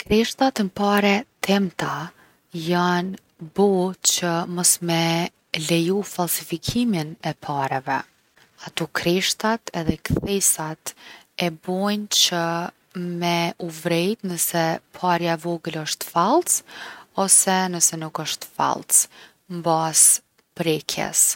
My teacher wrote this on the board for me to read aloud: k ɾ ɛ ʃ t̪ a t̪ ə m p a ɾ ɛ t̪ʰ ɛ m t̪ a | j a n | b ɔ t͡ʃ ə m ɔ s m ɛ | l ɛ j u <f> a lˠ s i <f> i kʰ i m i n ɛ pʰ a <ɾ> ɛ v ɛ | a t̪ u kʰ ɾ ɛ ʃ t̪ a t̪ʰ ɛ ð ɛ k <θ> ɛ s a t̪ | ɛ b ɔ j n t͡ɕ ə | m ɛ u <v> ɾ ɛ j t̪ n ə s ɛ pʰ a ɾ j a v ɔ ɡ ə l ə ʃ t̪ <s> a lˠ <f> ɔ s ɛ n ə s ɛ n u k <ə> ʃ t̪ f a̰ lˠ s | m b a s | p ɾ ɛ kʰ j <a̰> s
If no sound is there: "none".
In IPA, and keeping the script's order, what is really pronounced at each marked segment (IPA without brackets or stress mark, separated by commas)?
f, f, ɾ, θ, v, f, s, ə, ɛ̰